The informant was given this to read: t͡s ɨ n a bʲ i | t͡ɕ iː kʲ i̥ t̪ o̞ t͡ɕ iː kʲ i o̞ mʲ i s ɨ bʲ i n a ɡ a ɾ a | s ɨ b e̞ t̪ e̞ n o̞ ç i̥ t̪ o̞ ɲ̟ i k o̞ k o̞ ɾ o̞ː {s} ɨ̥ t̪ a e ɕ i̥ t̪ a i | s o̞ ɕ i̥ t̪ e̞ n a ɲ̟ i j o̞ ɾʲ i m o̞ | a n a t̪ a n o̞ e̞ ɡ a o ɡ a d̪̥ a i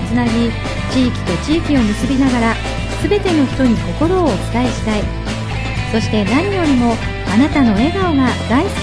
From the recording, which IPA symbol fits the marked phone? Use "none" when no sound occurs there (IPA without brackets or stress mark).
t͡s